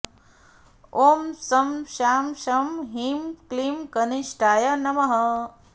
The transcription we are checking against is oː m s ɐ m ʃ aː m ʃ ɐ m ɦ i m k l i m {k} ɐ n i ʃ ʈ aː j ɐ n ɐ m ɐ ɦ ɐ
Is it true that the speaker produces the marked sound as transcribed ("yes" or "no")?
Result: yes